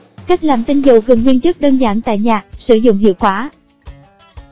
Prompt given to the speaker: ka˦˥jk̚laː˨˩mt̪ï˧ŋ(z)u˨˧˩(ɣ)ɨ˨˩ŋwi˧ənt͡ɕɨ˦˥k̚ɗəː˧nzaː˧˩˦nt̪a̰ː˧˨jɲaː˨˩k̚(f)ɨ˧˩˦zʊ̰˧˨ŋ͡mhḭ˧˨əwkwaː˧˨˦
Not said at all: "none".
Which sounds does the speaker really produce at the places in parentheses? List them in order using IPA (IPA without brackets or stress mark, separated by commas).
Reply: z, ɣ, s